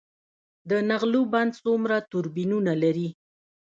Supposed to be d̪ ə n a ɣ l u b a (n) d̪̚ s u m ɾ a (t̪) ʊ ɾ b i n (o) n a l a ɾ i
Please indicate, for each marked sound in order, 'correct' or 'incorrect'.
correct, correct, incorrect

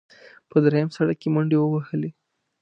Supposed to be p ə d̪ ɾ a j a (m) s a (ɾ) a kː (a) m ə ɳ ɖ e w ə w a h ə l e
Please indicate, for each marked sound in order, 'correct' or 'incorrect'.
correct, incorrect, incorrect

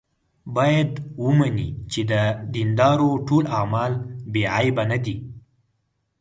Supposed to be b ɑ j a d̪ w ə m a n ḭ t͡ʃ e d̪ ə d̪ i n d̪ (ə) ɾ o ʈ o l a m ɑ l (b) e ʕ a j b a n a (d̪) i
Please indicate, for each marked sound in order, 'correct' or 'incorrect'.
incorrect, correct, correct

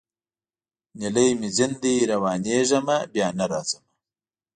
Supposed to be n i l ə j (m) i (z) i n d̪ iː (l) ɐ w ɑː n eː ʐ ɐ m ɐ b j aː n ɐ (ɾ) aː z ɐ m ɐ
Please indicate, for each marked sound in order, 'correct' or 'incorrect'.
correct, correct, incorrect, correct

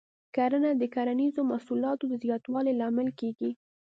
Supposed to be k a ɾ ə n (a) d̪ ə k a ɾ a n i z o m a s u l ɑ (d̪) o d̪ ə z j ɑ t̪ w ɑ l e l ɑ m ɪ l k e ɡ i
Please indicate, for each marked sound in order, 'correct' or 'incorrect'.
correct, incorrect

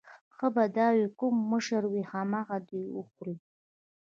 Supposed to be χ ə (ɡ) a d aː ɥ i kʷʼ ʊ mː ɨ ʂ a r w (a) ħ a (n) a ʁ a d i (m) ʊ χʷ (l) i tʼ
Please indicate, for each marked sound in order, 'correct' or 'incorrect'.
incorrect, incorrect, incorrect, incorrect, incorrect

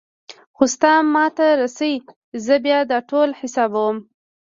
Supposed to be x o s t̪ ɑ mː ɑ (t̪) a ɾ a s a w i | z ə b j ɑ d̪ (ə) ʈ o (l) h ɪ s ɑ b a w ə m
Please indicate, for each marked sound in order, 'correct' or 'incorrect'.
correct, incorrect, correct

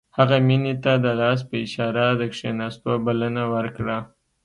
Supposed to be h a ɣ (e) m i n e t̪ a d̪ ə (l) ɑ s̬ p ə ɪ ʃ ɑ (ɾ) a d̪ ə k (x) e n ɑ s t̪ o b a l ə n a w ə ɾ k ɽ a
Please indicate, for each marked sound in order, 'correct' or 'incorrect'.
incorrect, correct, correct, incorrect

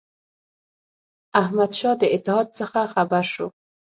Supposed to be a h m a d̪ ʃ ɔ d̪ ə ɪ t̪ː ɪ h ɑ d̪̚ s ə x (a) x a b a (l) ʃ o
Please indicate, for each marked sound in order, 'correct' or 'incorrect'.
correct, incorrect

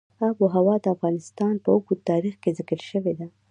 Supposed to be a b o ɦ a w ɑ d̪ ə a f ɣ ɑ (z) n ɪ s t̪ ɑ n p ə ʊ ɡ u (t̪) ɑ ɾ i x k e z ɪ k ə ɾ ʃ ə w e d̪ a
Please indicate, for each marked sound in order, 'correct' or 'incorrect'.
incorrect, correct

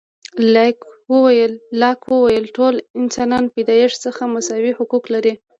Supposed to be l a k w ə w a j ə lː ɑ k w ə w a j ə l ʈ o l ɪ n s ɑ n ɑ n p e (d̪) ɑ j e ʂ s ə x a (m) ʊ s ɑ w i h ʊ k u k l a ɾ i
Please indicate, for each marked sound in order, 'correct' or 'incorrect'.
correct, correct

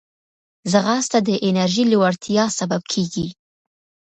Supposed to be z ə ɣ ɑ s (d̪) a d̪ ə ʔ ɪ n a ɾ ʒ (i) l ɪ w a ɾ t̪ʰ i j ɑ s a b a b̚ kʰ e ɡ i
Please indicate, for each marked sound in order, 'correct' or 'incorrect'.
incorrect, correct

